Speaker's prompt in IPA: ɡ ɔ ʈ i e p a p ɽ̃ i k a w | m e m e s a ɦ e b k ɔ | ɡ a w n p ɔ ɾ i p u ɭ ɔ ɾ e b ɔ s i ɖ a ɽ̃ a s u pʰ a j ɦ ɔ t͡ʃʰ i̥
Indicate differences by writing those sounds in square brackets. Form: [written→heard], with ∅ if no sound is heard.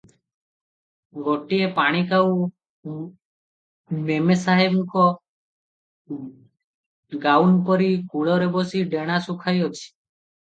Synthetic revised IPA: ɡ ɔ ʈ i e p a [p→∅] ɽ̃ i k a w | m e m e s a ɦ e b k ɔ | ɡ a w n p ɔ ɾ i [p→k] u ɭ ɔ ɾ e b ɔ s i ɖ [a→e] ɽ̃ a s u [pʰ→kʰ] a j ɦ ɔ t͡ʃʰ i̥